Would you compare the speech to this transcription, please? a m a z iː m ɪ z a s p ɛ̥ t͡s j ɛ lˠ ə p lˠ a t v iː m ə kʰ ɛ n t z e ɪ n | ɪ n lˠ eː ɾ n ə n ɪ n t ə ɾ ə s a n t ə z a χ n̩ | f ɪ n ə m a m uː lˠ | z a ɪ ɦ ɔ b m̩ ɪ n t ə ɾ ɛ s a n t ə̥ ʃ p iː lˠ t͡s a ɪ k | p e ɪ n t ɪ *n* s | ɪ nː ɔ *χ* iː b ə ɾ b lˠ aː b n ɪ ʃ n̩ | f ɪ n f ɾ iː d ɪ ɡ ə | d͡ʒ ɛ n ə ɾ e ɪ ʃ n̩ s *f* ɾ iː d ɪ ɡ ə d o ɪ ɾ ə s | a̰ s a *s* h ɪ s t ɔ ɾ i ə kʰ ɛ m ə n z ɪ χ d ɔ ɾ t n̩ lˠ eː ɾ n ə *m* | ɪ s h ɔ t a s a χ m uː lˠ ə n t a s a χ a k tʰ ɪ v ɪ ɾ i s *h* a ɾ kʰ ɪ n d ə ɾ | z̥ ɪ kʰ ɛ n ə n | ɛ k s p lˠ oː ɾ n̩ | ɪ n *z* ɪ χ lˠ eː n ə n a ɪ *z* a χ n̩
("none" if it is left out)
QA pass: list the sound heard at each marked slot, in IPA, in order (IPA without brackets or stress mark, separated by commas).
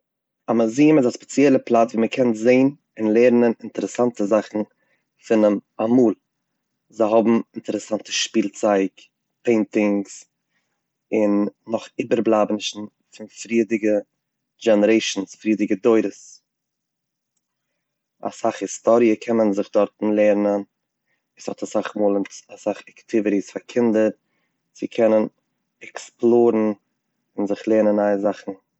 ŋ, χ, f, χ, n, f, z, z